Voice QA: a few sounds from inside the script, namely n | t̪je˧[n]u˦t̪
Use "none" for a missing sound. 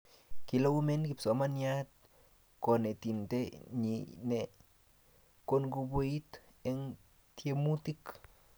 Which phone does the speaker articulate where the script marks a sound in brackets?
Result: m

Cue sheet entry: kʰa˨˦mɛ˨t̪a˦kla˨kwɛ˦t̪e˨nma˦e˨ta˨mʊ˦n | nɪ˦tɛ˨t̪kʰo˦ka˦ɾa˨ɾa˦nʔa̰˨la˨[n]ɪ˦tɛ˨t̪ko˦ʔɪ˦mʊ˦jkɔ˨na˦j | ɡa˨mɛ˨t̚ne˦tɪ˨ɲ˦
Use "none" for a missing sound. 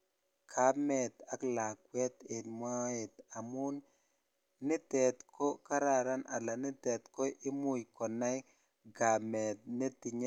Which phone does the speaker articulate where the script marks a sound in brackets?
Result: n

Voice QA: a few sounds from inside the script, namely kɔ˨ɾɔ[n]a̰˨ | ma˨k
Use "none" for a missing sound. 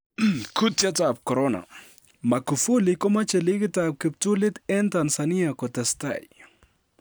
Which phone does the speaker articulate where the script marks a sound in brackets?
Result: n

